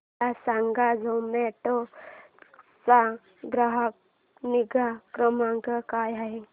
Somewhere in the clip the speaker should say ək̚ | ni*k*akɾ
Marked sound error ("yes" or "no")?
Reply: yes